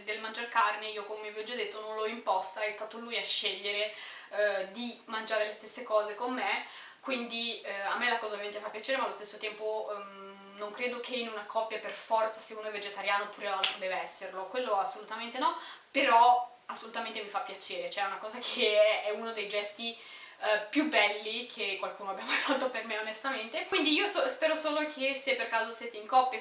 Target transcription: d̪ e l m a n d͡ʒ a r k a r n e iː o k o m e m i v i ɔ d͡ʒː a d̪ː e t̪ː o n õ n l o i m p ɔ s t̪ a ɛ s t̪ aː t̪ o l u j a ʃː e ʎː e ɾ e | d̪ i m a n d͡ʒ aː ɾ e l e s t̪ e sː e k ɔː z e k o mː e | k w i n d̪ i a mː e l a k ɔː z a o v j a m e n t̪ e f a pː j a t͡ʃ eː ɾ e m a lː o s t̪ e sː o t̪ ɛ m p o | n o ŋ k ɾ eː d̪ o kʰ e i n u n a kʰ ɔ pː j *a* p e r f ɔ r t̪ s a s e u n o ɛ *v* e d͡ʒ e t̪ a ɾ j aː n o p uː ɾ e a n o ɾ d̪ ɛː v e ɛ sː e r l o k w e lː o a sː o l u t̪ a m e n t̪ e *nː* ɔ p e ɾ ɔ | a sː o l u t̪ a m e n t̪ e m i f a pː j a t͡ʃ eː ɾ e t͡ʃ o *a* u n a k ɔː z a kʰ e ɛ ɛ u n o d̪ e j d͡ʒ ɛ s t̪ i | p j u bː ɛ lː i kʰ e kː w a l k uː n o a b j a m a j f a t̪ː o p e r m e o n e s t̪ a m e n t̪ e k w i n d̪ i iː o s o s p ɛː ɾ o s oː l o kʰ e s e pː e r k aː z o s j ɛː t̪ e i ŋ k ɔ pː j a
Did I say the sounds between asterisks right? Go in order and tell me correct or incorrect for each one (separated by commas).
correct, correct, incorrect, incorrect